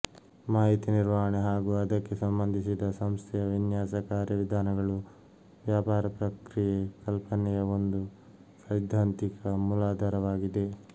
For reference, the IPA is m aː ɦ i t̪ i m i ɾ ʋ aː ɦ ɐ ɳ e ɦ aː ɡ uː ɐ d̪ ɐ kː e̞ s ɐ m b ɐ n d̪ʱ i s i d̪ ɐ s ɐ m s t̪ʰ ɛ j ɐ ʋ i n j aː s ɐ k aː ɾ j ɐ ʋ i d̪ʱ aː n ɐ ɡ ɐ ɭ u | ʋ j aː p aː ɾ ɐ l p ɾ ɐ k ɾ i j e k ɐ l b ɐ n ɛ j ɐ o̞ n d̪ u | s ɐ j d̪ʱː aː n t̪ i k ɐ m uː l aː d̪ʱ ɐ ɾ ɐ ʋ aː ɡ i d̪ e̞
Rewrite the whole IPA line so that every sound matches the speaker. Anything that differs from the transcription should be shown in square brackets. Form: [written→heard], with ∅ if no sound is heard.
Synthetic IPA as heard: m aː ɦ i t̪ i [m→n] i ɾ ʋ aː ɦ ɐ ɳ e ɦ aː ɡ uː ɐ d̪ ɐ kː e̞ s ɐ m b ɐ n d̪ʱ i s i d̪ ɐ s ɐ m s t̪ʰ ɛ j ɐ ʋ i n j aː s ɐ k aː ɾ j ɐ ʋ i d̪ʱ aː n ɐ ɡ ɐ ɭ u | ʋ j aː p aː ɾ ɐ [l→∅] p ɾ ɐ k ɾ i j e k ɐ l [b→p] ɐ n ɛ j ɐ o̞ n d̪ u | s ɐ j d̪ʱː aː n t̪ i k ɐ m [uː→u] l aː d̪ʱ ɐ ɾ ɐ ʋ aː ɡ i d̪ e̞